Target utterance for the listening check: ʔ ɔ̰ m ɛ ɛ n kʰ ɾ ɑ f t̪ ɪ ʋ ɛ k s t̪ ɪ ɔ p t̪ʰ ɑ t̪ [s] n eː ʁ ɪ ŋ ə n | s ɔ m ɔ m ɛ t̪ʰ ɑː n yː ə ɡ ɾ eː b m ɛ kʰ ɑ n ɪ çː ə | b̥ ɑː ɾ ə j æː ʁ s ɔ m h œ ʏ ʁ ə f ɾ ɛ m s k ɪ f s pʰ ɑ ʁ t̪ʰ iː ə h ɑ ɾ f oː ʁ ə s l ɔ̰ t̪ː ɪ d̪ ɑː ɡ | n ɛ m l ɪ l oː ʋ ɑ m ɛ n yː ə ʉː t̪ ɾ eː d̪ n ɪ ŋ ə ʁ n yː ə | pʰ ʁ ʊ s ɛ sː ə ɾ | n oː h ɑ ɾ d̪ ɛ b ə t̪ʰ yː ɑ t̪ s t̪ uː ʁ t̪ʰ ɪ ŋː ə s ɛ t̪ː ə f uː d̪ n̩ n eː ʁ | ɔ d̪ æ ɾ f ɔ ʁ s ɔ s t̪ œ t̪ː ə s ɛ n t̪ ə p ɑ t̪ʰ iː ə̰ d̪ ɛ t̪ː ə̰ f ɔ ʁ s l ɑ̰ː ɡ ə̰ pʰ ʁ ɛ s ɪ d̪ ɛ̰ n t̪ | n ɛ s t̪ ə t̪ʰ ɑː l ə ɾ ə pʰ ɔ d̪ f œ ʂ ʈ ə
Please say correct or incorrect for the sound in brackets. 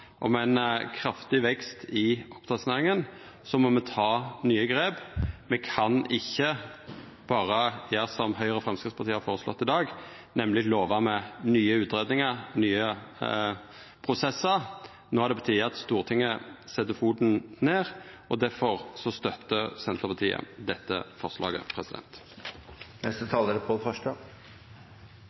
correct